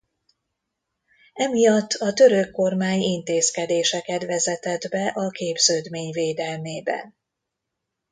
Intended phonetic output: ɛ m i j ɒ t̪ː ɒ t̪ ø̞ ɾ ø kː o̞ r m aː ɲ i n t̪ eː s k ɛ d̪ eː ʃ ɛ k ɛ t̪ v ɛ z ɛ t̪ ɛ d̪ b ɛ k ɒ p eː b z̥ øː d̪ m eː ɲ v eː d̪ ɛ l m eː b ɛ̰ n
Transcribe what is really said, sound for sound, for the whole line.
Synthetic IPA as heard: ɛ m i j ɒ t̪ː ɒ t̪ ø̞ ɾ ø kː o̞ r m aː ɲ i n t̪ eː s k ɛ d̪ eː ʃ ɛ k ɛ t̪ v ɛ z ɛ t̪ ɛ d̪ b ɛ ʔ ɒ k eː b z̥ øː d̪ m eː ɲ v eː d̪ ɛ l m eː b ɛ̰ n